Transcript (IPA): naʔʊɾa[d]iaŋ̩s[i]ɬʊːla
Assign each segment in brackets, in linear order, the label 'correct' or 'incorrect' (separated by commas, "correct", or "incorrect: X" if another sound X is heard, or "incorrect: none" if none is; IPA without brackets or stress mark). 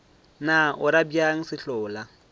incorrect: b, incorrect: ɪ